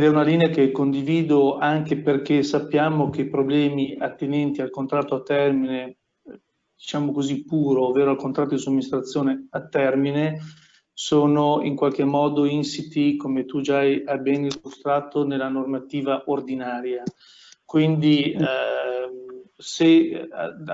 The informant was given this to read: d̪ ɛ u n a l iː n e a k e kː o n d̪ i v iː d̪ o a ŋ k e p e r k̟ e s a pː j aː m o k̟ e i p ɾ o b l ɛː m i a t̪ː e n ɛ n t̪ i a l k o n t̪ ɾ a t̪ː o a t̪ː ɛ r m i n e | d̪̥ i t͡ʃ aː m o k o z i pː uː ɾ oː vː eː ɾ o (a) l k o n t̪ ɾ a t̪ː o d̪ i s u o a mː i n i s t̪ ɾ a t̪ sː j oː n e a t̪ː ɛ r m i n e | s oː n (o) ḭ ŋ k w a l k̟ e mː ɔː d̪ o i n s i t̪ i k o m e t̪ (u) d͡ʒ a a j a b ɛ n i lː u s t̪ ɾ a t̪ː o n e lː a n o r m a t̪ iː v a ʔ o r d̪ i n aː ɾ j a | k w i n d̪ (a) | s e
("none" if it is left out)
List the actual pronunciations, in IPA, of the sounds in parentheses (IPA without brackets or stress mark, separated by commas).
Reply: a, o, u, i